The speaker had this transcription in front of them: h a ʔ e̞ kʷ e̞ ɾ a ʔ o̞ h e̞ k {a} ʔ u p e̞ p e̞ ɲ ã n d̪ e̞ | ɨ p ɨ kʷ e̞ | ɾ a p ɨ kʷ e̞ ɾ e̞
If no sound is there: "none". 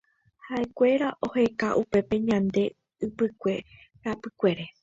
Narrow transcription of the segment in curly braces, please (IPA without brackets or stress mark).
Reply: a